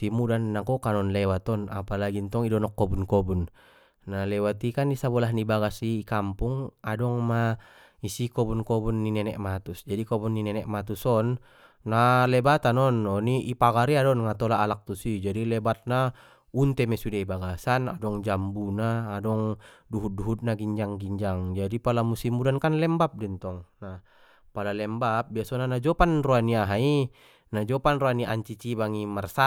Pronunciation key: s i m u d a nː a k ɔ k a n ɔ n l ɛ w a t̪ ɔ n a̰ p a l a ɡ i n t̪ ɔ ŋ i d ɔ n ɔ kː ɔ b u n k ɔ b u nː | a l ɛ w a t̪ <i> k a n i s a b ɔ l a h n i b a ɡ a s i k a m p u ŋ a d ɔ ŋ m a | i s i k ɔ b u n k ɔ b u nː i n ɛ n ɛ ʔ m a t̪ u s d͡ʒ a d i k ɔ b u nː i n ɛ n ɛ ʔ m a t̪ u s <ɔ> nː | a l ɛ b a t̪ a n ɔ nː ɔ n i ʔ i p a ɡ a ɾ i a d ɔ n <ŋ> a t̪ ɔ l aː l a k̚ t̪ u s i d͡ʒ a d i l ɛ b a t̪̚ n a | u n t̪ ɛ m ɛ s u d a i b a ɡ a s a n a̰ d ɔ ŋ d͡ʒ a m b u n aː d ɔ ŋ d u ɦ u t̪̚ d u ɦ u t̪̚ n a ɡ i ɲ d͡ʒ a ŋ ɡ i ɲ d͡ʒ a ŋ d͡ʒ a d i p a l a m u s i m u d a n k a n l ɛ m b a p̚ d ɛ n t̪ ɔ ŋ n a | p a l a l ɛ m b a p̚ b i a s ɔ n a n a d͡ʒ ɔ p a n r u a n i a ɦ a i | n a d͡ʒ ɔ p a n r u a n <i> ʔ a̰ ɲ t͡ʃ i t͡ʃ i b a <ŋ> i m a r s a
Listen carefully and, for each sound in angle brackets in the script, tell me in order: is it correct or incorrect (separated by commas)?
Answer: correct, correct, correct, correct, correct